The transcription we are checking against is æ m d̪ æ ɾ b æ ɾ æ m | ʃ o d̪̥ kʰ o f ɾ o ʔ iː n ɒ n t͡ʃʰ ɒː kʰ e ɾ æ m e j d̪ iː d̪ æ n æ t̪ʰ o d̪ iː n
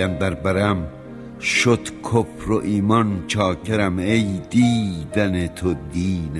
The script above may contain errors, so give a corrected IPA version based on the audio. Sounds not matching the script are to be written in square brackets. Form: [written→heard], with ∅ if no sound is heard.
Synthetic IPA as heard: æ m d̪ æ ɾ b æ ɾ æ m | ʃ o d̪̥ kʰ o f ɾ o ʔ iː [n→m] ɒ n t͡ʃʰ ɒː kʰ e ɾ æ m e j d̪ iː d̪ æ n [æ→e] t̪ʰ o d̪ iː n